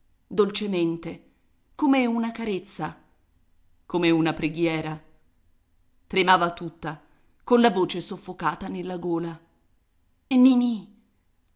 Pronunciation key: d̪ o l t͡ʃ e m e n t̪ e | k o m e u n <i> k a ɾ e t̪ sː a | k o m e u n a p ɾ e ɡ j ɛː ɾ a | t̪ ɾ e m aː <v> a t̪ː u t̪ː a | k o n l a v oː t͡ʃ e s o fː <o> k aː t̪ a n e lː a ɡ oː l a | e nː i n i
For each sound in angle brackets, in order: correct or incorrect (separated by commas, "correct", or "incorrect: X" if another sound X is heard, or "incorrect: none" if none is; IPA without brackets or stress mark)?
incorrect: a, correct, correct